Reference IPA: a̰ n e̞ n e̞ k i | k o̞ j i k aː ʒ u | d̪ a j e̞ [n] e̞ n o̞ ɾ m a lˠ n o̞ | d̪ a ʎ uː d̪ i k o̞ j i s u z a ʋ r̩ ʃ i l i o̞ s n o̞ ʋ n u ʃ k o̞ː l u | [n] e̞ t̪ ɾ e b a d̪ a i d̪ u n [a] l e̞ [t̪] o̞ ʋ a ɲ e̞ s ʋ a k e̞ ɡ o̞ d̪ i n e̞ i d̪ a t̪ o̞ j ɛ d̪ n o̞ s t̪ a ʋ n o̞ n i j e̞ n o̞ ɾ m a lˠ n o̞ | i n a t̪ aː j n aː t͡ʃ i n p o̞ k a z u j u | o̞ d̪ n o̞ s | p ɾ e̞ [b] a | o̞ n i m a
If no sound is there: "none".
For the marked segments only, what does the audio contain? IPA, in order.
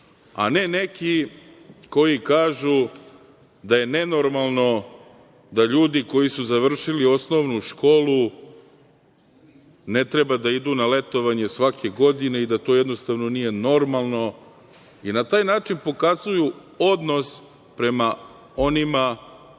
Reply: n, n, a, t̪, m

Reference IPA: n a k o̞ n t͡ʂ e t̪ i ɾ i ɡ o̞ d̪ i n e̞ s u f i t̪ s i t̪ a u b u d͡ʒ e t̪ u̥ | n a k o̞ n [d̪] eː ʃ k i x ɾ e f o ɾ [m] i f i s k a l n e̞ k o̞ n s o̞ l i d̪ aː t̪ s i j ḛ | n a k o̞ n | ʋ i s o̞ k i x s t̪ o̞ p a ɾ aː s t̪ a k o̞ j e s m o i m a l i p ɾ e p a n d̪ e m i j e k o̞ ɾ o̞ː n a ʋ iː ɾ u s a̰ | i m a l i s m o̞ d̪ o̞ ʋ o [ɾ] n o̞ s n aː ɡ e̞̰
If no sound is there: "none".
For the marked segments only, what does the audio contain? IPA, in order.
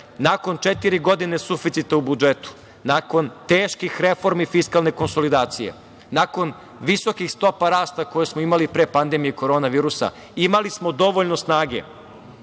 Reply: t̪, m, ʎ

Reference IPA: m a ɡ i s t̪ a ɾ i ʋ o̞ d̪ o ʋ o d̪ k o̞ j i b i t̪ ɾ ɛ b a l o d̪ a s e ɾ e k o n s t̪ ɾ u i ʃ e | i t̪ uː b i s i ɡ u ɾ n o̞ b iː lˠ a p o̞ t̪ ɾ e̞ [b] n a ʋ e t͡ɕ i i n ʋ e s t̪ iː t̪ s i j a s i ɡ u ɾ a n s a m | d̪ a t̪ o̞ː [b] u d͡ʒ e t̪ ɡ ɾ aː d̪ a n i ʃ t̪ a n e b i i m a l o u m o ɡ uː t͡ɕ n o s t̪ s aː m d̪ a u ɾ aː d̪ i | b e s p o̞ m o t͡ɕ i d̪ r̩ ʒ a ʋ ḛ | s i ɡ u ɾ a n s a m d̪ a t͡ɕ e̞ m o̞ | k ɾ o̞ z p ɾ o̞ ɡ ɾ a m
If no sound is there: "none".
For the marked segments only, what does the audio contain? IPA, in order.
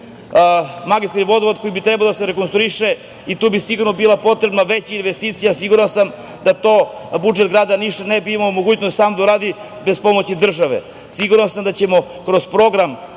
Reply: b, b

